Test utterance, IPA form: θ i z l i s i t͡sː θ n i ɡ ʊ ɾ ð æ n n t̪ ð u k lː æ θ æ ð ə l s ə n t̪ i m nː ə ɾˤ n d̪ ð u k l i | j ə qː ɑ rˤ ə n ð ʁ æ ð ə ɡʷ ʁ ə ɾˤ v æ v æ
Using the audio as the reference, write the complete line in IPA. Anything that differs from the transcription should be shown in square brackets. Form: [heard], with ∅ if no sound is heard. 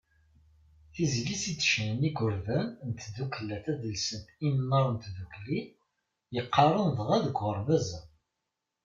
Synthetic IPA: θ i z l i s i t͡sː [ʃ] n i ɡ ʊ ɾ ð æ n n t̪ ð u k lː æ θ æ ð ə l s ə n t̪ i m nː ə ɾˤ n [t̪] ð u k l i | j ə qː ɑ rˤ ə n ð ʁ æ ð ə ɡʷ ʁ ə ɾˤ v æ [z] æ